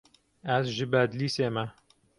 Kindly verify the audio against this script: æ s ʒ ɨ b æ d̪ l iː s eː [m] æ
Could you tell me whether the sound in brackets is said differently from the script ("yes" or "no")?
no